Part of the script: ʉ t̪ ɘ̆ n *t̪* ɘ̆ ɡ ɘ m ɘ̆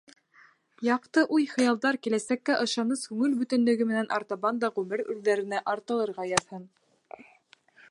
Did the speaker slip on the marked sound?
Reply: yes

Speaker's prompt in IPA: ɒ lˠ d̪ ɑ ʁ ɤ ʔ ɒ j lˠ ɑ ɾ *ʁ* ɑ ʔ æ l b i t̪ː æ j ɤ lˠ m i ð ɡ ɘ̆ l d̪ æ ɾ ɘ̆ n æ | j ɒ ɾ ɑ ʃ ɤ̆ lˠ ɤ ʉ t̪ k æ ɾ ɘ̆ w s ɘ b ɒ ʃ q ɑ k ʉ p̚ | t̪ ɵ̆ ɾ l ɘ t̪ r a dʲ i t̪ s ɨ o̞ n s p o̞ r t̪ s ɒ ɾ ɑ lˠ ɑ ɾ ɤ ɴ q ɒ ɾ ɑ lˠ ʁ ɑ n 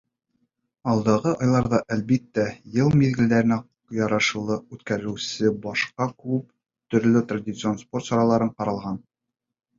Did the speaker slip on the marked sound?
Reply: yes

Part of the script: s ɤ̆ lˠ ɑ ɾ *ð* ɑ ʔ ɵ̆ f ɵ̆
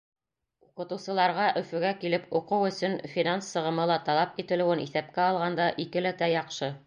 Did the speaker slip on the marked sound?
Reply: yes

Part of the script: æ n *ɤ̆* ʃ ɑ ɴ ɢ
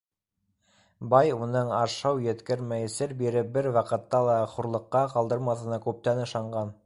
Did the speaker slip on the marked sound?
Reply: no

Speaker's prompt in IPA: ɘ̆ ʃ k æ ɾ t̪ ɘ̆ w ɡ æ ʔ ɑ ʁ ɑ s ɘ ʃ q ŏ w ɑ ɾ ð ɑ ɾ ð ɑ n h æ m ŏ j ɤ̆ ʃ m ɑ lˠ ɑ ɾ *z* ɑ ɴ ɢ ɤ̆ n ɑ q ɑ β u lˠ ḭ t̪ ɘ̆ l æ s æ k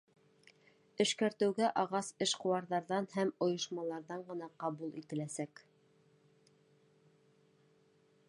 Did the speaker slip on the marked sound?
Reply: yes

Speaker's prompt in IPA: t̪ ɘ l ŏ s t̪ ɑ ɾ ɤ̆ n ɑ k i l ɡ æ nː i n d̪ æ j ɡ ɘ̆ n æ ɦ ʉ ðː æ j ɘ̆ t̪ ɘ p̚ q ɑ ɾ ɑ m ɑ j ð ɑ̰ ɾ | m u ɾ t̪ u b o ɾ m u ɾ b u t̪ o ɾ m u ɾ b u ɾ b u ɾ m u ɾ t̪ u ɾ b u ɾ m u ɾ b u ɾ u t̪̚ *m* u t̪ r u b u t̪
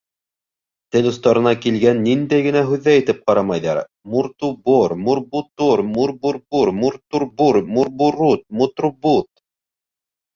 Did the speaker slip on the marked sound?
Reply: no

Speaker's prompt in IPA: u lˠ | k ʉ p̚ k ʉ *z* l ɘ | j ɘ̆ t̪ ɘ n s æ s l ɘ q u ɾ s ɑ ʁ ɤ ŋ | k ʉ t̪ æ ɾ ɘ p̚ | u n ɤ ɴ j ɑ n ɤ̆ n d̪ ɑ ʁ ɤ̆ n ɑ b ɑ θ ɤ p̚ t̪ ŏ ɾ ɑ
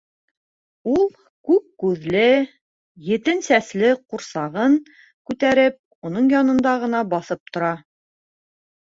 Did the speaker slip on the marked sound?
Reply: yes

